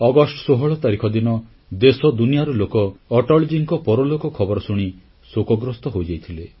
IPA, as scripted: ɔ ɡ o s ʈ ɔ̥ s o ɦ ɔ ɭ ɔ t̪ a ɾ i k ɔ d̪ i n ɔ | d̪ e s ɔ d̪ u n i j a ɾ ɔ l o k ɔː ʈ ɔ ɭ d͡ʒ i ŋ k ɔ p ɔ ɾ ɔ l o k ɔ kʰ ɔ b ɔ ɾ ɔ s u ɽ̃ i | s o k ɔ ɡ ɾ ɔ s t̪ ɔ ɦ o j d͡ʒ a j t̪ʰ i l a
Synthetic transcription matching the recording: ɔ ɡ ɔ s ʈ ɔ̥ s o ɦ ɔ ɭ ɔ t̪ a ɾ i kʰ ɔ d̪ i n ɔ | d̪ e s ɔ d̪ u n i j a ɾ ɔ l o k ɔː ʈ ɔ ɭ d͡ʒ i ŋ k ɔ p ɔ ɾ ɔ l o k ɔ kʰ ɔ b ɔ ɾ ɔ s u ɽ̃ i | s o k ɔ ɡ ɾ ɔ s t̪ ɔ ɦ o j d͡ʒ a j t̪ʰ i l e